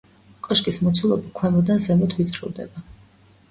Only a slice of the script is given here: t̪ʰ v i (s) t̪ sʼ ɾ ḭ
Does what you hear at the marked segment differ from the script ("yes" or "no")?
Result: yes